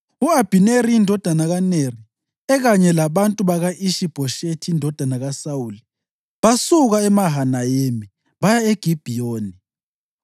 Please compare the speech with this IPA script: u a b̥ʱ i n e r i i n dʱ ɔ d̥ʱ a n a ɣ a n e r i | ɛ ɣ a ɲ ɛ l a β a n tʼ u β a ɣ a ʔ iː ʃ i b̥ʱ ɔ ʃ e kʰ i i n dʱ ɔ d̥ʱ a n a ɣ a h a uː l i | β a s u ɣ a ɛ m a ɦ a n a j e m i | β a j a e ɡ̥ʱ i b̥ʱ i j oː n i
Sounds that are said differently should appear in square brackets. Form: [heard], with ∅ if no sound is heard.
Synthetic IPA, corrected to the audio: u a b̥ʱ i n e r i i n dʱ ɔ d̥ʱ a n a ɣ a n e r i | ɛ ɣ a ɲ ɛ l a β a n tʼ u β a ɣ a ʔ [i] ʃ i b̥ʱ ɔ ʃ e [tʰ] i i n dʱ ɔ d̥ʱ a n a ɣ a [s] a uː l i | β a s u ɣ a ɛ m a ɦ a n a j e m i | β a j a e ɡ̥ʱ i b̥ʱ i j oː n i